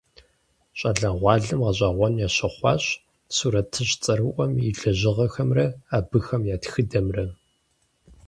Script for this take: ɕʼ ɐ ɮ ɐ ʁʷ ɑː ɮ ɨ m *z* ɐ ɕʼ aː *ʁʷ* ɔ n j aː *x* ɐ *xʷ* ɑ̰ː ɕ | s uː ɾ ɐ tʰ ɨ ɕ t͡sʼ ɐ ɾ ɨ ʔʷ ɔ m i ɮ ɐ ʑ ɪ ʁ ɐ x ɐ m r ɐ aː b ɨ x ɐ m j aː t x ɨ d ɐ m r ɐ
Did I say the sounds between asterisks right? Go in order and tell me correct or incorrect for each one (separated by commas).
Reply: incorrect, correct, incorrect, incorrect